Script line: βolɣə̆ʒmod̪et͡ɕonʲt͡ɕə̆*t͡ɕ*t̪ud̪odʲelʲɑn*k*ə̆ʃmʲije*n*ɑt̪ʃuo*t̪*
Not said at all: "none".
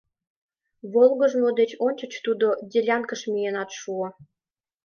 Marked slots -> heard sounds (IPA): t͡ɕ, k, n, none

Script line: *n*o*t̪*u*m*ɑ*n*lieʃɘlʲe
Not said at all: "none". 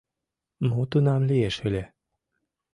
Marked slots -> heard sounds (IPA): m, t̪, n, m

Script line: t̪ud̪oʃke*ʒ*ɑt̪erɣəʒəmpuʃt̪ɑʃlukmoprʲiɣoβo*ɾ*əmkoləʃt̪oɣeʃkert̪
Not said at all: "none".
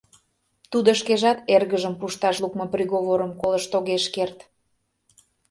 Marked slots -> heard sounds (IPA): ʒ, ɾ

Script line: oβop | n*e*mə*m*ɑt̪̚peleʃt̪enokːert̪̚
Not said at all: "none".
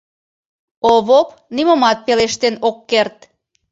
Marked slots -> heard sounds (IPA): i, m

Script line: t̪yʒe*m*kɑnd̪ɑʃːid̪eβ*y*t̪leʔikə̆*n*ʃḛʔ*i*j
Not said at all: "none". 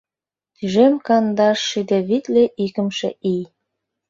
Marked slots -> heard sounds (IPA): m, i, m, i

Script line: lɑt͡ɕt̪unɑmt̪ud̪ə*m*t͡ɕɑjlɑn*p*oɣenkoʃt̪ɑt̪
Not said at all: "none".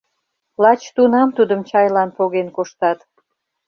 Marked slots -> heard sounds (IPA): m, p

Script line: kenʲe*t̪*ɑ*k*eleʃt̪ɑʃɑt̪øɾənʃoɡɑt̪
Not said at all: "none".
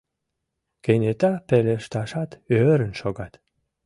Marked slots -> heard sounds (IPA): t̪, p

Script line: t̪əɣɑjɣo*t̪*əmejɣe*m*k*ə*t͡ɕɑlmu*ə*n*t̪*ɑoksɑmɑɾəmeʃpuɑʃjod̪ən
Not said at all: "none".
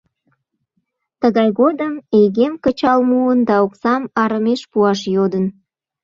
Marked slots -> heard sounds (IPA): d̪, m, ə, ə, d̪

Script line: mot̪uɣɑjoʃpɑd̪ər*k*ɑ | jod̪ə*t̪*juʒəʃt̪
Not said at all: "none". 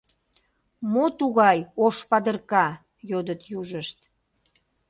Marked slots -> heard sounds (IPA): k, t̪

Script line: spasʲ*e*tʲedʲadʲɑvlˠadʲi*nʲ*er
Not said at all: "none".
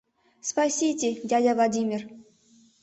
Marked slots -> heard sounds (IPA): i, mʲ

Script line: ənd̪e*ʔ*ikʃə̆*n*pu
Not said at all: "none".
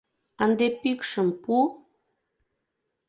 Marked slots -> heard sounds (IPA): p, m

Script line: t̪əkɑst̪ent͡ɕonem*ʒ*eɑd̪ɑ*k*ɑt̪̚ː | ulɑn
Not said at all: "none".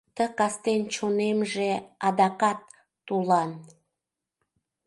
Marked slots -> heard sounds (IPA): ʒ, k

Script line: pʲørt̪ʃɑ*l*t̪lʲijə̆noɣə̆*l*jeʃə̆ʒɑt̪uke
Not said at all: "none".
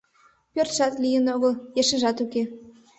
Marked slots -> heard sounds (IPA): none, l

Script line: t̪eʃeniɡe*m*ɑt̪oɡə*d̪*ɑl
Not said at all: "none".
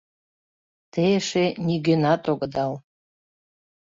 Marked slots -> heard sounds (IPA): n, d̪

